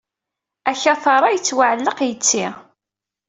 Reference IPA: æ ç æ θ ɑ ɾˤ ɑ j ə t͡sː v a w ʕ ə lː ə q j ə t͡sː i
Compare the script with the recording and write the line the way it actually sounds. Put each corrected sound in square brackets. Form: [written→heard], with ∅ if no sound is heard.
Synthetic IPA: æ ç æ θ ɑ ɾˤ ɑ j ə t͡sː [v→w] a [w→∅] ʕ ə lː ə q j ə t͡sː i